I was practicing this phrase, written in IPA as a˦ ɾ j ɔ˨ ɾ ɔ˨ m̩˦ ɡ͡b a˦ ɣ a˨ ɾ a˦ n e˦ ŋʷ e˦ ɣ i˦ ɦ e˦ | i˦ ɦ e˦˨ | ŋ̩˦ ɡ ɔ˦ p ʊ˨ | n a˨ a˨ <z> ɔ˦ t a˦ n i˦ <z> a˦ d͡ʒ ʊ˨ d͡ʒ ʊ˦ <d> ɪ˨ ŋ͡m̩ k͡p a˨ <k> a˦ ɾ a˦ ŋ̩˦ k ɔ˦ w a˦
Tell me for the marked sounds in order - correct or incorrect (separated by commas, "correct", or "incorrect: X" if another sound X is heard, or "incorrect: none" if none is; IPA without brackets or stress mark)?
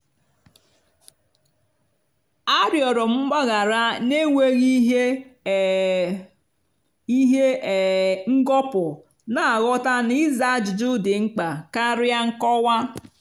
incorrect: ɣ, correct, correct, correct